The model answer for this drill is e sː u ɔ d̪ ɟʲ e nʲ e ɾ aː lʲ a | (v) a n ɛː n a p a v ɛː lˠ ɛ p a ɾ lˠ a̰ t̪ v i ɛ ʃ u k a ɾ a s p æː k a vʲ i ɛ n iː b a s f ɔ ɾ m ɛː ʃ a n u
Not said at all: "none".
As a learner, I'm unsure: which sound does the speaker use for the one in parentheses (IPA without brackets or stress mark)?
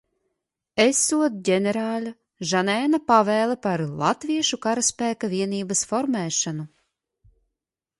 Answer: ʒ